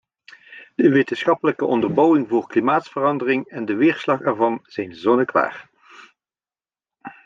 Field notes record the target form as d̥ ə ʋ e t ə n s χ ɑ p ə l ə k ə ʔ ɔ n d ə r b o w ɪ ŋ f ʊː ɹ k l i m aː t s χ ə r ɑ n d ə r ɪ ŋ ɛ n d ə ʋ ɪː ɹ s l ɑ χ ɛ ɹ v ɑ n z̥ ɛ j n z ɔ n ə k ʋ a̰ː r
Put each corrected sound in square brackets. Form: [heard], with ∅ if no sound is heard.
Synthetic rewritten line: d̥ ə ʋ e t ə n s χ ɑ p ə l ə k ə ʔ ɔ n d ə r b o w ɪ ŋ [v] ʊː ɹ k l i m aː t s [f] ə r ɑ n d ə r ɪ ŋ ɛ n d ə ʋ ɪː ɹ s l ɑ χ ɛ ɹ v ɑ n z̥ ɛ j n z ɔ n ə k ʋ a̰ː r